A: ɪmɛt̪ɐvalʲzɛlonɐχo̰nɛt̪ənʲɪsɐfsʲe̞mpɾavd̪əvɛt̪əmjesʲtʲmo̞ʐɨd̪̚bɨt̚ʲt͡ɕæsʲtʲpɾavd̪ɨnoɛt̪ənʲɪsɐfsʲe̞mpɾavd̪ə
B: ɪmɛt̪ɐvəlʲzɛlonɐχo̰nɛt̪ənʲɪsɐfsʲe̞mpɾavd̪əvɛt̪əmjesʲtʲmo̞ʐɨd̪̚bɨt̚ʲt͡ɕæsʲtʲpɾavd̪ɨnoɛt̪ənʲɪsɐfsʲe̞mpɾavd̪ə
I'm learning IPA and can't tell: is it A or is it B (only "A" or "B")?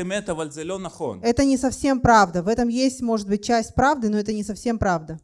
A